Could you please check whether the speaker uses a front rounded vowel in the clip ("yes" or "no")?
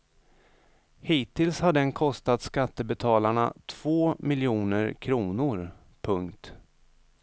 no